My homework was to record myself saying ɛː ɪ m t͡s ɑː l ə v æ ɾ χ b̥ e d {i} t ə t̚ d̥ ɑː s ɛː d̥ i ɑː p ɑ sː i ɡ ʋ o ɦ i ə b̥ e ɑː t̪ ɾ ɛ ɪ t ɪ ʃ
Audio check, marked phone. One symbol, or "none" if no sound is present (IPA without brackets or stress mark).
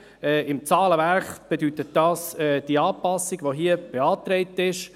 y